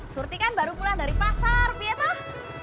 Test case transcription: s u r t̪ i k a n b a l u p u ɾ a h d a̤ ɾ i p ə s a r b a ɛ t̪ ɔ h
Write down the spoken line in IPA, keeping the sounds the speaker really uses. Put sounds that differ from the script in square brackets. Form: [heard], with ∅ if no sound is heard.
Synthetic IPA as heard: s u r t̪ i k a n b a [ɾ] u p u [l] a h d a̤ ɾ i p [a] s a r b [i] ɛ t̪ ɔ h